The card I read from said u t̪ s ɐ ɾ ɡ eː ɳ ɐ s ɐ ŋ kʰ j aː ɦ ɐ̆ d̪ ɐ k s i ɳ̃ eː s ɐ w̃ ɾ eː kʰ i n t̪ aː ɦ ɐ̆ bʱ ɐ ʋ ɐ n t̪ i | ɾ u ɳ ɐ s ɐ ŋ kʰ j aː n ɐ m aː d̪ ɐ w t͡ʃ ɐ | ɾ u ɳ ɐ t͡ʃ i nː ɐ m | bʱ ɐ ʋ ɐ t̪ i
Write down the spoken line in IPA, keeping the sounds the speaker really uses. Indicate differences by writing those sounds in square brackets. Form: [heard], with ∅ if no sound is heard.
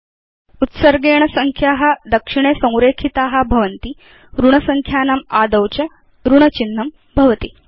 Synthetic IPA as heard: u t̪ s ɐ ɾ ɡ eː ɳ ɐ s ɐ ŋ kʰ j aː ɦ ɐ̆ d̪ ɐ k [ʂ] i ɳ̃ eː s [ɐ̃] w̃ ɾ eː kʰ i [∅] t̪ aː ɦ ɐ̆ bʱ ɐ ʋ ɐ n t̪ i | ɾ u ɳ ɐ s ɐ ŋ kʰ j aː n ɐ m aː d̪ ɐ w t͡ʃ ɐ | ɾ u ɳ ɐ t͡ʃ i nː ɐ m | bʱ ɐ ʋ ɐ t̪ i